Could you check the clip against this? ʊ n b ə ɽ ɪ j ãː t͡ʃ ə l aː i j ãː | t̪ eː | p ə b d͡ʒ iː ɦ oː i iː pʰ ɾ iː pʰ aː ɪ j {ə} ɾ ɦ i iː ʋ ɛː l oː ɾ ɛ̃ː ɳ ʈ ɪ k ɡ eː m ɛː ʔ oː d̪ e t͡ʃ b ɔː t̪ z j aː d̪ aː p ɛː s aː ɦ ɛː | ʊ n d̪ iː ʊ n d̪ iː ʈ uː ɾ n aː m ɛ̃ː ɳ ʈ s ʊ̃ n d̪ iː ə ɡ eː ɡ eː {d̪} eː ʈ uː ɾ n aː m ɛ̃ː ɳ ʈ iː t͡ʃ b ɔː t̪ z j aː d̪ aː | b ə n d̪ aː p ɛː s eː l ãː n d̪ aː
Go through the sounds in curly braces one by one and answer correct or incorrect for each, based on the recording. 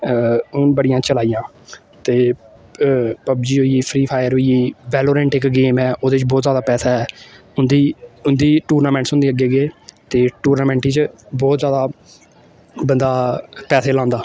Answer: correct, incorrect

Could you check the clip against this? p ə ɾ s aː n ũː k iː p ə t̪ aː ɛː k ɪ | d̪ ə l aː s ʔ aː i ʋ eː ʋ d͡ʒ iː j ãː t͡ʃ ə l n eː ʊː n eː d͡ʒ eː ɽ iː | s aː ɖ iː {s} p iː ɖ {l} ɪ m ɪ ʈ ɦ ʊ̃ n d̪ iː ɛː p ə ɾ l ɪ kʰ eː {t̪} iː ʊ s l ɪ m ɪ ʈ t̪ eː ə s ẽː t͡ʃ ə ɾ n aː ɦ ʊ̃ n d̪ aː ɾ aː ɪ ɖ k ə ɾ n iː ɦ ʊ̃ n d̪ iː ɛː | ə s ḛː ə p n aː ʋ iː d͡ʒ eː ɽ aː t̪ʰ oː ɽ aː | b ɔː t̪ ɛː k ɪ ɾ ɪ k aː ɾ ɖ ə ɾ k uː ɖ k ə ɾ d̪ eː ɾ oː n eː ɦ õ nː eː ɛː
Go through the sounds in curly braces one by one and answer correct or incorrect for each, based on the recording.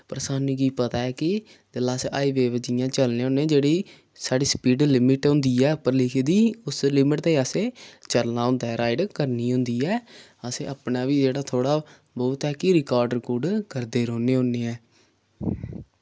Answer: correct, correct, incorrect

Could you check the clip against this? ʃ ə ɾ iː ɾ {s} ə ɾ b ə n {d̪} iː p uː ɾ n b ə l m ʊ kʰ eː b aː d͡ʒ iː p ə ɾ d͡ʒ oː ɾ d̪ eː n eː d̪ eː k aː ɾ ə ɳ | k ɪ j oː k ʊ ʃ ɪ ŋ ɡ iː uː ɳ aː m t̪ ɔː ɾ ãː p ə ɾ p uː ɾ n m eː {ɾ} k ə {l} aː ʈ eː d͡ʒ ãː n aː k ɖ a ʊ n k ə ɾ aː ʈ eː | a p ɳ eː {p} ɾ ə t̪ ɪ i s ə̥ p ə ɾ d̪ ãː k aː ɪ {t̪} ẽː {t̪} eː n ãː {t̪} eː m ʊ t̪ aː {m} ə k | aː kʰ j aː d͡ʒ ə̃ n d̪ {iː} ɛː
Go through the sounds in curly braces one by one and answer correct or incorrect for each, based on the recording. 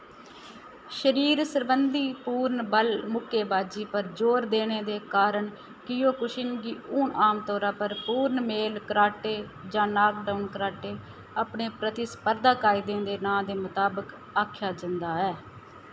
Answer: correct, correct, incorrect, incorrect, correct, incorrect, incorrect, incorrect, incorrect, incorrect

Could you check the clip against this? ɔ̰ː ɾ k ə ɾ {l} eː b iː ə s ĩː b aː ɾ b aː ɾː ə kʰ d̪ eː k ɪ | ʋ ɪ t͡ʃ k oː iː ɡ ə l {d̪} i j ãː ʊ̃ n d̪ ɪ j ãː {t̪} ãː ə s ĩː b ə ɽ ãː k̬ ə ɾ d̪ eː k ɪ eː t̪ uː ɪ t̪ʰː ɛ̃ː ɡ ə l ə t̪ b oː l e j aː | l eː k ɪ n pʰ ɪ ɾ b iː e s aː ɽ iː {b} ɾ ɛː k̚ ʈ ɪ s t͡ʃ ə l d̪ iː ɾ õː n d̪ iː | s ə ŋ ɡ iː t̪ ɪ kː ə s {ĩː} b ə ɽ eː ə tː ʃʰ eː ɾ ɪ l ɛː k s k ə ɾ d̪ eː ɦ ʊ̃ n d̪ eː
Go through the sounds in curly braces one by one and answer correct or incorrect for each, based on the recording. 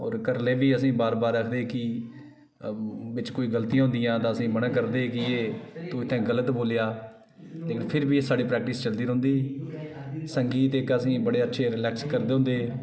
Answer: correct, incorrect, correct, incorrect, correct

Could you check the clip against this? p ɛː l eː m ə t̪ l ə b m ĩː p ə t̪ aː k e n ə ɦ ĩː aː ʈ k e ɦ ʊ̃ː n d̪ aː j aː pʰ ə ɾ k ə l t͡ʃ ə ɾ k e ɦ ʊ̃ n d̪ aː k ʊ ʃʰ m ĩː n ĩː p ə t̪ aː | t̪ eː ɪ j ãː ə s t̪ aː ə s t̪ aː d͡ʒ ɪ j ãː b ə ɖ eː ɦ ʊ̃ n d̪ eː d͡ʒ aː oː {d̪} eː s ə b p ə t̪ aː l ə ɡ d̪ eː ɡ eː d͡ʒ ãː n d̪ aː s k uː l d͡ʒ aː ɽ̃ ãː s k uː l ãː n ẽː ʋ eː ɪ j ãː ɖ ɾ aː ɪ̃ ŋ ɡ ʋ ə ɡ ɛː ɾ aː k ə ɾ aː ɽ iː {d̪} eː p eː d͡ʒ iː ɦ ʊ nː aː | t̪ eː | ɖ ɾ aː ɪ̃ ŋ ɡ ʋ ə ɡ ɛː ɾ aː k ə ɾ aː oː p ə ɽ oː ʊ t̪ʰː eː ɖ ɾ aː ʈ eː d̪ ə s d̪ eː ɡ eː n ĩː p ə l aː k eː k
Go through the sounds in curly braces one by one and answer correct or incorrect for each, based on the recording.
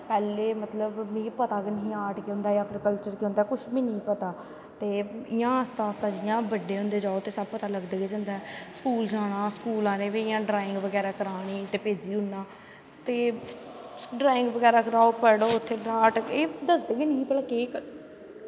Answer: incorrect, incorrect

